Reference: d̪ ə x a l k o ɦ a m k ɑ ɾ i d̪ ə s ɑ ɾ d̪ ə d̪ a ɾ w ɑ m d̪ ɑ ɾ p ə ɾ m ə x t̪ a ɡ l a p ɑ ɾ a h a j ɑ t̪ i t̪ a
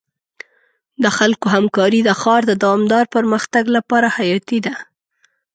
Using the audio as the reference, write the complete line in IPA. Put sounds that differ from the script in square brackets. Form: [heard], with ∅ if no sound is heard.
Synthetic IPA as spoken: d̪ ə x a l k o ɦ a m k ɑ ɾ i d̪ ə [x] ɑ ɾ d̪ ə d̪ a [∅] w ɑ m d̪ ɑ ɾ p ə ɾ m ə x t̪ a ɡ l a p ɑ ɾ a h a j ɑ t̪ i [d̪] a